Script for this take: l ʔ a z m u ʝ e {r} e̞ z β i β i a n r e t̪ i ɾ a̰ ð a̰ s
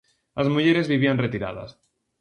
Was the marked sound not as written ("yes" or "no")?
yes